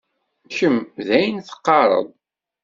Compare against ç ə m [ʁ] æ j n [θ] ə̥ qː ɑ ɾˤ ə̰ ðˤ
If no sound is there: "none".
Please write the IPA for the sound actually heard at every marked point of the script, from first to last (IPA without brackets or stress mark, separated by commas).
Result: ð, θ